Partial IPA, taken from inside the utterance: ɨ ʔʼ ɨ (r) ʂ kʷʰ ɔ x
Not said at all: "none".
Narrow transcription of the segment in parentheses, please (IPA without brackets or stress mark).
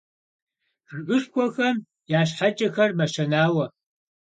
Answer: none